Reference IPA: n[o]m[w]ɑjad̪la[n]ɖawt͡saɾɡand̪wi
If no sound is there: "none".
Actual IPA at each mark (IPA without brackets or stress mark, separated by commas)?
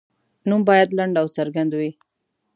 u, b, ɳ